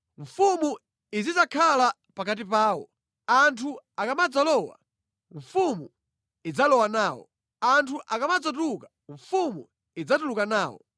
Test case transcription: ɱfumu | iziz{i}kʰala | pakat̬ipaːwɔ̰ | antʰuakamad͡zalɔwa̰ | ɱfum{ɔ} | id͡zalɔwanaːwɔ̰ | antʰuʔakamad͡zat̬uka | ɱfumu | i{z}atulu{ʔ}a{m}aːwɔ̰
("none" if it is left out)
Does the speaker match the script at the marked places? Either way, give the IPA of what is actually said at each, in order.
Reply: a, u, d͡z, k, n

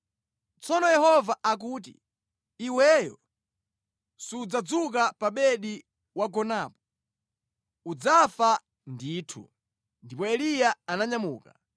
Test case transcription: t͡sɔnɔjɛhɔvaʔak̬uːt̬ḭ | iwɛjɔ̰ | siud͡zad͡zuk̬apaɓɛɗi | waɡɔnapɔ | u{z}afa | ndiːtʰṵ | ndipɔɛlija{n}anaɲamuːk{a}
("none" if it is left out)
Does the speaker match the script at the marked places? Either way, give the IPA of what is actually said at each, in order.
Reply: d͡z, none, a

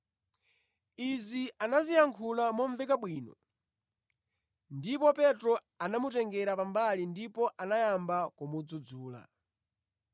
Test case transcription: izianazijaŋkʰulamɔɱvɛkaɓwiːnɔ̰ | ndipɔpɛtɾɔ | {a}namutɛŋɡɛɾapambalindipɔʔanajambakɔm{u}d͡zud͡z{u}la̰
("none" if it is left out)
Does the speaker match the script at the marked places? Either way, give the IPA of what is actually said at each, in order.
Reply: a, u, uː

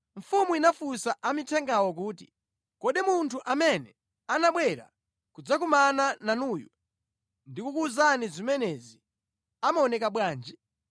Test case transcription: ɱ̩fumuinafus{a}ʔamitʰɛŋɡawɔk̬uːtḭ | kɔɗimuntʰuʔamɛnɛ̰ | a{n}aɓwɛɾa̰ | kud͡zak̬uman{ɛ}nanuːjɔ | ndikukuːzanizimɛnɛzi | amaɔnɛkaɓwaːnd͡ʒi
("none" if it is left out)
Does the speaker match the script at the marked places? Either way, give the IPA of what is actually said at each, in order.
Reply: a, n, a

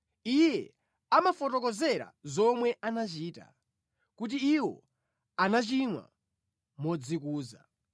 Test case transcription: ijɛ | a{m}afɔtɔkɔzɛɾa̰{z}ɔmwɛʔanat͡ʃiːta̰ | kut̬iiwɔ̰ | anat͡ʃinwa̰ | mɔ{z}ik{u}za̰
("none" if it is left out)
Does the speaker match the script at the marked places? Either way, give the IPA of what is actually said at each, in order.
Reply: m, z, d͡z, uː

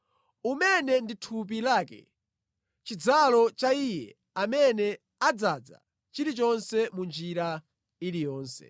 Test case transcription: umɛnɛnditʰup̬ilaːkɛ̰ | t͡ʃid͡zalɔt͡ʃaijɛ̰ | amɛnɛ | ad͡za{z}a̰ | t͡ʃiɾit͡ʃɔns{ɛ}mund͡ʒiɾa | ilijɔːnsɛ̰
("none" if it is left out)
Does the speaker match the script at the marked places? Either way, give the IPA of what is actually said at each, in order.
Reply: d͡z, ɛ

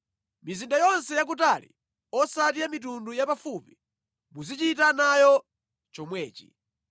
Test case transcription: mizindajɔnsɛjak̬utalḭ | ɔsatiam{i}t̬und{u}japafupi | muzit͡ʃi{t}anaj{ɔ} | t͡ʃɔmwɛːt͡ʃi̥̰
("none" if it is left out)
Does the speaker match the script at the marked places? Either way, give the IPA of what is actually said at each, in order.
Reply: i, u, t, ɔ

